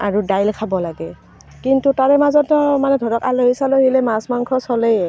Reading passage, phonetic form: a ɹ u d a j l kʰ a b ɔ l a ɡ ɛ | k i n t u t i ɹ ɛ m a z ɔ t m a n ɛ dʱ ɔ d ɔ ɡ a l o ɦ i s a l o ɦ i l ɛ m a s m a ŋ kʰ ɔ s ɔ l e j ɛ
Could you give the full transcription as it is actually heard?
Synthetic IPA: a ɹ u d a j l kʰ a b ɔ l a ɡ ɛ | k i n t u t a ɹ ɛ m a z ɔ t m a n ɛ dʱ ɔ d ɔ k a l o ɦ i s a l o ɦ i l ɛ m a s m a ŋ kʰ ɔ s ɔ l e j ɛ